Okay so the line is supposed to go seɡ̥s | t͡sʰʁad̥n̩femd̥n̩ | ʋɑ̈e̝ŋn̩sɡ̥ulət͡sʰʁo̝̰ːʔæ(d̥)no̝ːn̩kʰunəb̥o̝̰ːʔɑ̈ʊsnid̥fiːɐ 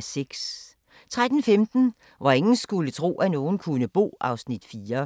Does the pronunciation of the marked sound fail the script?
yes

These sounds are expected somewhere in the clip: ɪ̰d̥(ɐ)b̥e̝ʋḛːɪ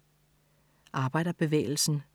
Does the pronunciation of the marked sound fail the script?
no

